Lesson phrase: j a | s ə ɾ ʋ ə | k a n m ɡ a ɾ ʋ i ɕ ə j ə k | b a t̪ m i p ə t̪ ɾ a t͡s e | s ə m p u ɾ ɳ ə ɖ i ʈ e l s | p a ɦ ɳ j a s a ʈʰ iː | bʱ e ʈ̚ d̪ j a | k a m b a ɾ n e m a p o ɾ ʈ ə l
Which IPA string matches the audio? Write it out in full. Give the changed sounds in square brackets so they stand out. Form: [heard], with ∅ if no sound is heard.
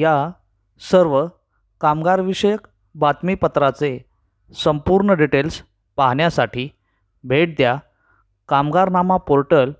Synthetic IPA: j a | s ə ɾ ʋ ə | k a [∅] m ɡ a ɾ ʋ i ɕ ə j ə k | b a t̪ m i p ə t̪ ɾ a t͡s e | s ə m p u ɾ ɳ ə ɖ i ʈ e l s | p a ɦ ɳ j a s a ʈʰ iː | bʱ e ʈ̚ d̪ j a | k a m [ɡ] a ɾ n [a] m a p o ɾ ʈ ə l